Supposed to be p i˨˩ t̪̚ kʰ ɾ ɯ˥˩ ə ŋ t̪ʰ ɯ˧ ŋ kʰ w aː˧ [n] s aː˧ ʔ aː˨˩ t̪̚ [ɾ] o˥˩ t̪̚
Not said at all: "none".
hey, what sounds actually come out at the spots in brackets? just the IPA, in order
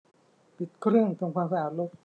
m, l

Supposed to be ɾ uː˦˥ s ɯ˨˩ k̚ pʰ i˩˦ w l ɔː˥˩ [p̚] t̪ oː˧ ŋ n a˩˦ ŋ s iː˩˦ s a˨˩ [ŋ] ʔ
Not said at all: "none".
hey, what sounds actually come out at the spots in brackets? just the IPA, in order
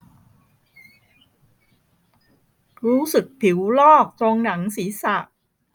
k̚, none

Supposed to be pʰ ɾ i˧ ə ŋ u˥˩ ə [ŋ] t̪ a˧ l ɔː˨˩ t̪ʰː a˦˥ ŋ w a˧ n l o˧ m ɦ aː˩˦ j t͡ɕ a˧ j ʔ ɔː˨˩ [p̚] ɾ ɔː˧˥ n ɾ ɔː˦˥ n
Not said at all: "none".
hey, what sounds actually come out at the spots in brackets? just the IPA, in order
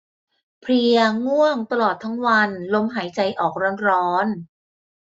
ŋ, k̚

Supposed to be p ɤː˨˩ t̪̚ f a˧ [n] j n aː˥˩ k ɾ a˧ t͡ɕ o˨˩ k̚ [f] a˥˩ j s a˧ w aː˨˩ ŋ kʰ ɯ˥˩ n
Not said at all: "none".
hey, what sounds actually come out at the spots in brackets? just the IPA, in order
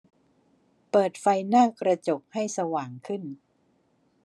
none, h

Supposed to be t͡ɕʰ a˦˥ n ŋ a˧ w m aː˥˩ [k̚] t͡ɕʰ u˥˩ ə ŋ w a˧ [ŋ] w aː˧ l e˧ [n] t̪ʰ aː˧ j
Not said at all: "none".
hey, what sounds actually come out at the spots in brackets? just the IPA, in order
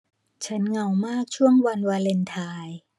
k̚, n, n

